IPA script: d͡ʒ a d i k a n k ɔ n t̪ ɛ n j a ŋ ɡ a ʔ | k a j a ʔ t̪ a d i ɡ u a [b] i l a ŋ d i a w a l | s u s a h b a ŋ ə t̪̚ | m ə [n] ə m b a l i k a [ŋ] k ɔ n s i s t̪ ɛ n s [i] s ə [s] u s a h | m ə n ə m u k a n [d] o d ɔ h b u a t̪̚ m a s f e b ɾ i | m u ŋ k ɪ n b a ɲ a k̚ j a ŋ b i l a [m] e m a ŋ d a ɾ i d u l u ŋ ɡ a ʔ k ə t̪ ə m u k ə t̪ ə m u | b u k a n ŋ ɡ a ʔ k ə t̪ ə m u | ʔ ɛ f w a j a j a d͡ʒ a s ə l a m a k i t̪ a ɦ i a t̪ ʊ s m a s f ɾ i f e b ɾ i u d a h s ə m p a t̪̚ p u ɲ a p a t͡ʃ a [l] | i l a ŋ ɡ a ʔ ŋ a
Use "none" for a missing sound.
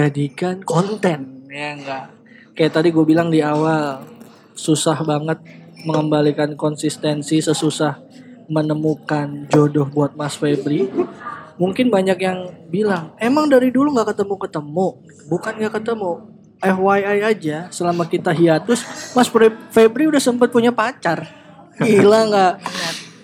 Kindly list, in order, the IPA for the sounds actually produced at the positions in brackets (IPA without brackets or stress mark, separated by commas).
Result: b, ŋ, n, i, s, d͡ʒ, ŋ, r